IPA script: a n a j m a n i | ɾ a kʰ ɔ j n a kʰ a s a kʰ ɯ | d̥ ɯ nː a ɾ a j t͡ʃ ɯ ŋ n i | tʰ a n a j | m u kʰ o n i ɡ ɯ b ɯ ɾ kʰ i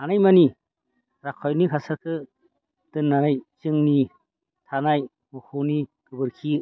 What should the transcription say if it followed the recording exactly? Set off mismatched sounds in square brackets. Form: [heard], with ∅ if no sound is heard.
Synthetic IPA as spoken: a n a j m a n i | ɾ a kʰ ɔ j n [i] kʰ a s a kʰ ɯ | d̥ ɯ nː a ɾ a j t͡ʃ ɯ ŋ n i | tʰ a n a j | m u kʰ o n i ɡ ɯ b ɯ ɾ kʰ i

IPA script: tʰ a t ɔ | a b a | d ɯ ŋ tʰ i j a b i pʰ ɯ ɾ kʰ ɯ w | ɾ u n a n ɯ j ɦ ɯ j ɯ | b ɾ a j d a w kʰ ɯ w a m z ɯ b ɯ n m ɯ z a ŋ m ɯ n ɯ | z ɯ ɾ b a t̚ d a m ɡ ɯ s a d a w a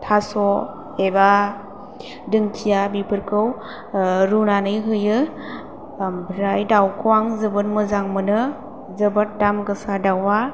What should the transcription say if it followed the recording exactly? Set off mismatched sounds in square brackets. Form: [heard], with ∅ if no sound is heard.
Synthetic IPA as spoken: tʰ a [s] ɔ | [e] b a | d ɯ ŋ tʰ i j a b i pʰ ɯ ɾ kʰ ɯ w | ɾ u n a n ɯ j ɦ ɯ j ɯ | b ɾ a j d a w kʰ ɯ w a [ŋ] z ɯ b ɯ n m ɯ z a ŋ m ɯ n ɯ | z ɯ [∅] b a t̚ d a m ɡ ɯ s a d a w a

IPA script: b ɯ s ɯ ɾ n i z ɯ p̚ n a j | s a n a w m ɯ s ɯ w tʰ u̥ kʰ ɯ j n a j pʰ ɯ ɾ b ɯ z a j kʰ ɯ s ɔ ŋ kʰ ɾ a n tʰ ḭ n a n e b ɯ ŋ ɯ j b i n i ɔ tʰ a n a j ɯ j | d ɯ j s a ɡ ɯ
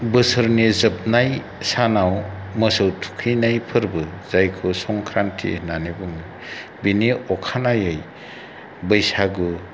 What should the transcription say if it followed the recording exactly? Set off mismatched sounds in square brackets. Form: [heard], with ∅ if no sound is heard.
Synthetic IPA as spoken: b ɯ s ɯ ɾ n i z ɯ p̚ n a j | s a n a w m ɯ s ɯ w tʰ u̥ kʰ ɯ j n a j pʰ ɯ ɾ b ɯ z a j kʰ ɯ s ɔ ŋ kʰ ɾ a n tʰ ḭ n a n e b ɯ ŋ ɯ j b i n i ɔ [kʰ] a n a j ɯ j | [b] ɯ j s a ɡ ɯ

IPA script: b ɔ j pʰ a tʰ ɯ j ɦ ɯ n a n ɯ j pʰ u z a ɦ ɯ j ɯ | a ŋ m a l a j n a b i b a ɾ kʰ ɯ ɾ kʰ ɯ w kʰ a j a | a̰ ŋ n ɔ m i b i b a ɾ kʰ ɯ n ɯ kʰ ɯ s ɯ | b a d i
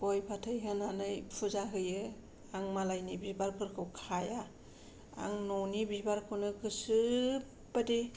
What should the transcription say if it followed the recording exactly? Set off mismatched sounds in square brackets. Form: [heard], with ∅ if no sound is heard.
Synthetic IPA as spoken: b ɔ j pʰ a tʰ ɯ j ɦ ɯ n a n ɯ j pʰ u z a ɦ ɯ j ɯ | a ŋ m a l a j n [i] b i b a ɾ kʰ ɯ ɾ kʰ ɯ w kʰ a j a | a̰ ŋ n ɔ [n] i b i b a ɾ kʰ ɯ n ɯ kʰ ɯ s ɯ | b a d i

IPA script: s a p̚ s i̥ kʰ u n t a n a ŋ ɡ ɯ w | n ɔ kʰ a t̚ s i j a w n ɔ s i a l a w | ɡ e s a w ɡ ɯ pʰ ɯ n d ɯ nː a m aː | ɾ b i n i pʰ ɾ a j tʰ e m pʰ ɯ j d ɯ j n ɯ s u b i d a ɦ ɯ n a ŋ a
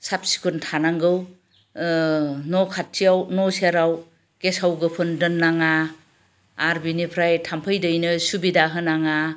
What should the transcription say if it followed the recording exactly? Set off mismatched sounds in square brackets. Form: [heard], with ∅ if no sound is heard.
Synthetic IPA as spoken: s a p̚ s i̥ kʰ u n [tʰ] a n a ŋ ɡ ɯ w | n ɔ kʰ a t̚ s i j a w n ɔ s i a [ɾ] a w | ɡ e s a w ɡ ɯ pʰ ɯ n d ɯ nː a [ŋ] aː | ɾ b i n i pʰ ɾ a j tʰ [a] m pʰ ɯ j d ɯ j n ɯ s u b i d a ɦ ɯ n a ŋ a

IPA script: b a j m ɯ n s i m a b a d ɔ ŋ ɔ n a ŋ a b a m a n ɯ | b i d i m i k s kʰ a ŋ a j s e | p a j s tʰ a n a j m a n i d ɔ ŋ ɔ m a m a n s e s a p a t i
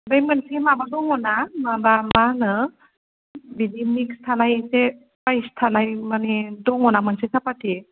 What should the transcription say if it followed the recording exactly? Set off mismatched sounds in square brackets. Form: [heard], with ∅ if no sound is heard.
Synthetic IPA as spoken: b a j m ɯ n s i m a b a d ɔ ŋ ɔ n a [m] a b a m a n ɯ | b i d i m i k s [tʰ] a [n] a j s e | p a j s tʰ a n a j m a n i d ɔ ŋ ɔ [n] a m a n s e s a p a t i

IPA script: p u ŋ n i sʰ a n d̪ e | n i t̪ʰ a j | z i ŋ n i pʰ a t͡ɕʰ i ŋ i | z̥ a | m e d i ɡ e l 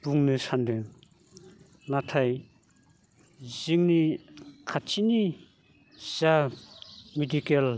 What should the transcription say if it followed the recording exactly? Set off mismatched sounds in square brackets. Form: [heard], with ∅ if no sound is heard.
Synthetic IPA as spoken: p u ŋ n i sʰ a n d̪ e | n [a] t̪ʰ a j | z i ŋ n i [kʰ] a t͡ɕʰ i [n] i | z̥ a | m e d i [k] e l

